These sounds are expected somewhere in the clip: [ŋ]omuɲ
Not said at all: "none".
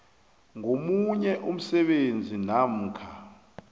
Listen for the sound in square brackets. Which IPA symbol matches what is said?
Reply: ŋ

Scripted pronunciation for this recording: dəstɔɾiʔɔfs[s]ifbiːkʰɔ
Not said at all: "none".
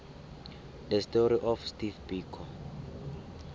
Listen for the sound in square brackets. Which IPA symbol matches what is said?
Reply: t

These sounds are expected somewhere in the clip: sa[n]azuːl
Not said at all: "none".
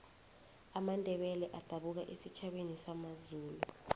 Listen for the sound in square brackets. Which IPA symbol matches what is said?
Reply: m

